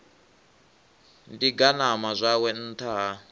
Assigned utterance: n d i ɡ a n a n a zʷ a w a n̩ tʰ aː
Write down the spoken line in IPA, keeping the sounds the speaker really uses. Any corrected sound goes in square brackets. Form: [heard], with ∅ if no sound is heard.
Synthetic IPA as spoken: n d i ɡ a n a [m] a zʷ a w [ɛ] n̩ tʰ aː